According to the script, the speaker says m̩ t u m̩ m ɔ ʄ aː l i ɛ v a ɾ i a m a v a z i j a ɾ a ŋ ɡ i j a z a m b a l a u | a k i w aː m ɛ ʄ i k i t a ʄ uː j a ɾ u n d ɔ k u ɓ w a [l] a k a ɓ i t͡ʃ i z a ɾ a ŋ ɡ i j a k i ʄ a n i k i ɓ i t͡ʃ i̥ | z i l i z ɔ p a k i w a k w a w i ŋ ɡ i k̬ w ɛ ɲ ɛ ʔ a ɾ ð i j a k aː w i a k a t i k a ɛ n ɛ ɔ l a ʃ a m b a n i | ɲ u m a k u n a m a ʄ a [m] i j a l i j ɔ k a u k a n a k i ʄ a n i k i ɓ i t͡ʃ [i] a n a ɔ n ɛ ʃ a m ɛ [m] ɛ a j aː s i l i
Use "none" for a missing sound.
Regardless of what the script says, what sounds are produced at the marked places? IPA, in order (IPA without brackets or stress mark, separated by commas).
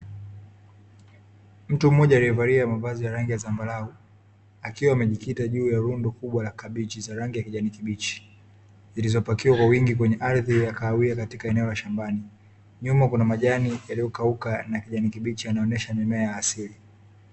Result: l, n, i, m